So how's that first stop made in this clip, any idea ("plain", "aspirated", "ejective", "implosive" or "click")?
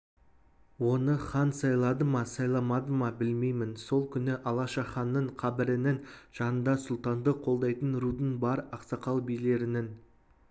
plain